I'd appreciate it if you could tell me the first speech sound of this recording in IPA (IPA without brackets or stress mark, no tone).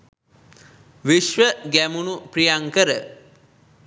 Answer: ʋ